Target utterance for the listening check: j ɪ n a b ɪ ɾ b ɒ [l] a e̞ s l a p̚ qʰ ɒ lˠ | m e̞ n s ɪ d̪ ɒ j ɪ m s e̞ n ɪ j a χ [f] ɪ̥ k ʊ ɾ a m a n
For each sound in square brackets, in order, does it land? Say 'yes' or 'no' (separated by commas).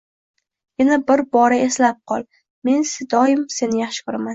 no, no